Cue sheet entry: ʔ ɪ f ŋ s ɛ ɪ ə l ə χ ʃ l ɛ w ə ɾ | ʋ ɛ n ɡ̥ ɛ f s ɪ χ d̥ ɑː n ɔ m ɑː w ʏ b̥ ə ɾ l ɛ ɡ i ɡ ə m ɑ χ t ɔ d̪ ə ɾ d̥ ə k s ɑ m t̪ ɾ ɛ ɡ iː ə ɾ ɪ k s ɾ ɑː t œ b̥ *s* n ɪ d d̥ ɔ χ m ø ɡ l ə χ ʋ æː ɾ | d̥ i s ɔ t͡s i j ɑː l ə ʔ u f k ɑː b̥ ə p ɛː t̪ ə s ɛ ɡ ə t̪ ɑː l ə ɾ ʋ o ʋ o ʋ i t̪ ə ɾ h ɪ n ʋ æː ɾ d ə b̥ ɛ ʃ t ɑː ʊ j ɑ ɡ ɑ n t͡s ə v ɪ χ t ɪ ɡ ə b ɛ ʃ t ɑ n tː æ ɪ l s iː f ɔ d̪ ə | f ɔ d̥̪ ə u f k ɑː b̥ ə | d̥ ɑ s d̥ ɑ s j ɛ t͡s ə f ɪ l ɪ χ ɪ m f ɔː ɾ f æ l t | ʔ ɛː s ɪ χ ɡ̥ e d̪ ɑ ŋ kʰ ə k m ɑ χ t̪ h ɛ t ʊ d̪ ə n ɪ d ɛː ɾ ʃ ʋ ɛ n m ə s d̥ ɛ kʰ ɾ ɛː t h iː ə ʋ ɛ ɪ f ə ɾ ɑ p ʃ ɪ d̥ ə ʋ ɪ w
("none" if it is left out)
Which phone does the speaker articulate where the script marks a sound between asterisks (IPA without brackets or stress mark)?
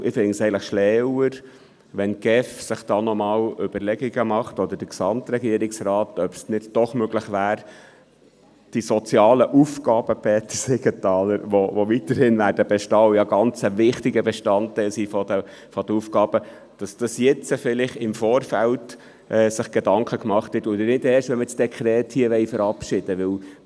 s